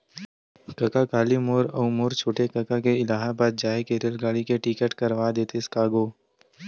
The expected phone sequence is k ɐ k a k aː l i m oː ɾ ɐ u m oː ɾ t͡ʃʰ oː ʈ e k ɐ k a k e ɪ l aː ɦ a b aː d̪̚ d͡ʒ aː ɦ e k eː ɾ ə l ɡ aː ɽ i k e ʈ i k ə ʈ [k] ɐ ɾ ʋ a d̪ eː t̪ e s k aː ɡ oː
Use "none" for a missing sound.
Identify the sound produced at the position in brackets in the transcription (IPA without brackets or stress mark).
k